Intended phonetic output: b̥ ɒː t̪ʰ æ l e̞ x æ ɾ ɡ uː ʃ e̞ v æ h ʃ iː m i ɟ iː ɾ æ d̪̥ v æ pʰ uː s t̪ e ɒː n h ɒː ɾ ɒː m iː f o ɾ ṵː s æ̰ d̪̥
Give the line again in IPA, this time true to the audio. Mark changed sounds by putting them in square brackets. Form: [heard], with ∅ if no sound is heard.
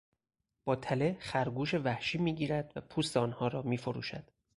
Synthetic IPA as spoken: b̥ ɒː t̪ʰ æ l e̞ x æ ɾ ɡ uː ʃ e̞ v æ h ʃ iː m [iː] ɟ iː ɾ æ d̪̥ v æ pʰ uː s t̪ e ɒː n h ɒː ɾ ɒː m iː f o ɾ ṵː [ʃ] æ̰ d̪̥